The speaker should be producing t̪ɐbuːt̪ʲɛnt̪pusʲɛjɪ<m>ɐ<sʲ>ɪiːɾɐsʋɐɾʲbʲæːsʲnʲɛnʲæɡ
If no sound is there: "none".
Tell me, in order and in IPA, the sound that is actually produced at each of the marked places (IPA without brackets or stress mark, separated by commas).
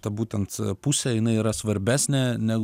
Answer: n, none